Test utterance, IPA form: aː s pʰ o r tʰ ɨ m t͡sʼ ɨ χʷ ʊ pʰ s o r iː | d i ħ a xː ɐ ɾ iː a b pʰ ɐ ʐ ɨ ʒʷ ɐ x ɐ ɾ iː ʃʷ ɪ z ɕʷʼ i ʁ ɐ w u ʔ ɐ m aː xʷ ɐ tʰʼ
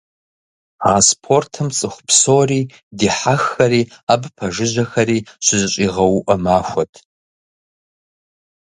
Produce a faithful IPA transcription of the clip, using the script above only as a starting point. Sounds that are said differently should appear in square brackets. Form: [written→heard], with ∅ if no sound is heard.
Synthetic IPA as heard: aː s pʰ o r tʰ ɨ m t͡sʼ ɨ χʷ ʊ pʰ s o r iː | d i ħ a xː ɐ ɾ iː a b pʰ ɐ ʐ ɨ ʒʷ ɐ x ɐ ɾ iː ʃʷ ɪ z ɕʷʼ i ʁ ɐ w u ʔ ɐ m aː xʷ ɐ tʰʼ